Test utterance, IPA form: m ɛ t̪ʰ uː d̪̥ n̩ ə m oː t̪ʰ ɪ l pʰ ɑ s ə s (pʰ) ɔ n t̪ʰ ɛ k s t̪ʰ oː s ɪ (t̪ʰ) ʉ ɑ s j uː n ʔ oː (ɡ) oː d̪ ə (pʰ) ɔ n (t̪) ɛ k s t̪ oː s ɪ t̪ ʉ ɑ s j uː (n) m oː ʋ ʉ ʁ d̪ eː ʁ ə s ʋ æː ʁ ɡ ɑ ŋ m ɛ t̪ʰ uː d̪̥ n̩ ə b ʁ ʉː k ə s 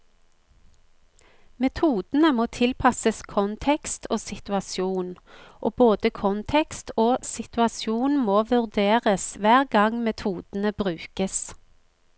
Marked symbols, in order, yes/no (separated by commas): no, no, no, no, no, yes